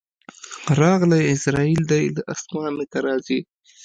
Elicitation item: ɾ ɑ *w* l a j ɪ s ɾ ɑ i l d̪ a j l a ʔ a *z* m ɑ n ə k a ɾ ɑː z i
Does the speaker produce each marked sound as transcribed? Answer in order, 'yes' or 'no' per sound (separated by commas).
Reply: no, no